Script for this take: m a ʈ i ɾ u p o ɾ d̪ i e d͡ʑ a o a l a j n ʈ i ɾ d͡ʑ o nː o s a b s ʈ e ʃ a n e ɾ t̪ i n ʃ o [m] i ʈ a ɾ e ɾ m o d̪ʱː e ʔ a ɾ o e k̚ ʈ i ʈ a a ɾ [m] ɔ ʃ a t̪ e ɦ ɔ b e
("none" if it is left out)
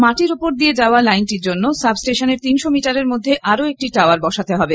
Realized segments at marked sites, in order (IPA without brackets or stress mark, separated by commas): m, b